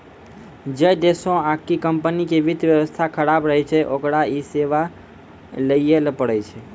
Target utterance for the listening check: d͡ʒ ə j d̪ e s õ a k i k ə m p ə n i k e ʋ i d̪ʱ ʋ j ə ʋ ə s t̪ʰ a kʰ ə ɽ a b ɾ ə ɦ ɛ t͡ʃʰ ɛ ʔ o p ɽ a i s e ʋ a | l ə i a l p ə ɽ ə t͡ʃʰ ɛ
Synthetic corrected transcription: d͡ʒ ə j d̪ e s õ a k i k ə m p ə n i k e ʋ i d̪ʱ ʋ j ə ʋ ə s t̪ʰ a kʰ ə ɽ a b ɾ ə ɦ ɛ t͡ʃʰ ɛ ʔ o k ɽ a i s e ʋ a | l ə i e l p ə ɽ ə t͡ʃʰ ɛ